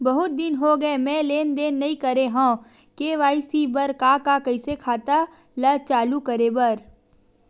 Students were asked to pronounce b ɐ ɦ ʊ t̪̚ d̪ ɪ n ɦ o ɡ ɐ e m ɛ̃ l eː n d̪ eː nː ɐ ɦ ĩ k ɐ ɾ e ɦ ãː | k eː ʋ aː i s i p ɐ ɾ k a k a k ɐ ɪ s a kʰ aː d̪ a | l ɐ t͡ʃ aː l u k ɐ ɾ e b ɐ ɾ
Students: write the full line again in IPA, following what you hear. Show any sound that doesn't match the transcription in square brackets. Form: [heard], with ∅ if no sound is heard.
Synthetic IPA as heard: b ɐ ɦ ʊ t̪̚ d̪ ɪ n ɦ o ɡ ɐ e m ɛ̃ l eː n d̪ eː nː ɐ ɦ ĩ k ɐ ɾ e ɦ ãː | k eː ʋ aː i s i [b] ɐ ɾ k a k a k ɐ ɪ s [e] kʰ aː [t̪] a | l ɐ t͡ʃ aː l u k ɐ ɾ e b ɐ ɾ